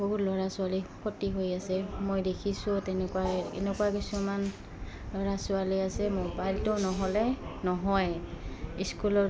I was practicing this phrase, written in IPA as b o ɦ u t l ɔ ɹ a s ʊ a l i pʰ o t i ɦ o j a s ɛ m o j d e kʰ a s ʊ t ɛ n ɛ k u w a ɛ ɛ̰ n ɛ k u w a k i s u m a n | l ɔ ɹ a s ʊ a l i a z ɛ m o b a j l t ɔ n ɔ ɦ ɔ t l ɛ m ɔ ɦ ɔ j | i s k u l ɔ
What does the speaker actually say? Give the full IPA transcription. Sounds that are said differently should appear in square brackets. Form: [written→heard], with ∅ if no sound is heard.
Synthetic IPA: b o ɦ u t l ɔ ɹ a s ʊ a l i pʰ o t i ɦ o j a s ɛ m o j d e kʰ [a→i] s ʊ t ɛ n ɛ k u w a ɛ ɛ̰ n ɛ k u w a k i s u m a n | l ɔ ɹ a s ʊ a l i a [z→s] ɛ m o b a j l t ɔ n ɔ ɦ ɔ [t→∅] l ɛ [m→n] ɔ ɦ ɔ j | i s k u l ɔ